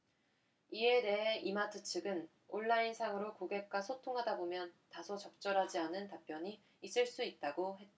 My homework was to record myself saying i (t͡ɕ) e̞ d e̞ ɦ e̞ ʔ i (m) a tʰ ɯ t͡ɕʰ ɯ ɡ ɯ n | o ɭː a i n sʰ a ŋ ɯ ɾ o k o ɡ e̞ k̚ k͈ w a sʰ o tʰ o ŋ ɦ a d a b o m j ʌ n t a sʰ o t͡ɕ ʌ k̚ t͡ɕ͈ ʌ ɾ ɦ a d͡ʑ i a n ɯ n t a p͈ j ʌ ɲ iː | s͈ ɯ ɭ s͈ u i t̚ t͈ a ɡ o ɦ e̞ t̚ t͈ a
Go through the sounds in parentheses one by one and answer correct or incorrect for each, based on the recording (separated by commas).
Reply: incorrect, correct